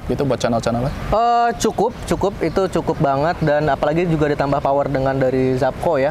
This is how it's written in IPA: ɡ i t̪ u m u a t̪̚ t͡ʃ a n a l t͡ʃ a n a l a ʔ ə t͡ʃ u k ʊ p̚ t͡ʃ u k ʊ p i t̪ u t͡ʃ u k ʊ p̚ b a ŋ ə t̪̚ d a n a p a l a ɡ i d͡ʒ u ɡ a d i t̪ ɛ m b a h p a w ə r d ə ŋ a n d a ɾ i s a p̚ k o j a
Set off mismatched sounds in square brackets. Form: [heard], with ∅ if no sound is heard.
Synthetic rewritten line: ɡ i t̪ u [b] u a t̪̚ t͡ʃ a n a l t͡ʃ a n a l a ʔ ə t͡ʃ u k ʊ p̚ t͡ʃ u k ʊ p i t̪ u t͡ʃ u k ʊ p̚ b a ŋ ə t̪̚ d a n a p a l a ɡ i d͡ʒ u ɡ a d i t̪ [a] m b a h p a w ə r d ə ŋ a n d a ɾ i [z] a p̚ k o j a